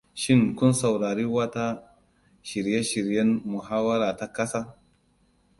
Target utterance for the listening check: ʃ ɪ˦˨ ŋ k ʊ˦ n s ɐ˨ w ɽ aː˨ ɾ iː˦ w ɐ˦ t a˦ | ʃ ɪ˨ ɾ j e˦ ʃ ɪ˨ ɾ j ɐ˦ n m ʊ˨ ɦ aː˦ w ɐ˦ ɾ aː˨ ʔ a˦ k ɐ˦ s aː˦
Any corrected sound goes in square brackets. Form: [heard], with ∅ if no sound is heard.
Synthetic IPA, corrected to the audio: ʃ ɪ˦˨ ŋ k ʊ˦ n s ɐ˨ w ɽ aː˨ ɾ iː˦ w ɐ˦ t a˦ | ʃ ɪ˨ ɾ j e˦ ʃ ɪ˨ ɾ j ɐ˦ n m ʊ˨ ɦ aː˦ w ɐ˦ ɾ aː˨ [t] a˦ k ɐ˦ s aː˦